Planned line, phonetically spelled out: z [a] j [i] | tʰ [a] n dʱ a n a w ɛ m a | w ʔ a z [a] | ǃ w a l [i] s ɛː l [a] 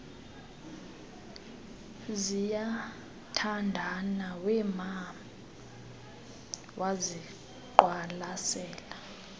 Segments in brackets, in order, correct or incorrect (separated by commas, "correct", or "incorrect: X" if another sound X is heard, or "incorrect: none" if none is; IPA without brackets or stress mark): incorrect: i, incorrect: a, correct, incorrect: i, incorrect: a, correct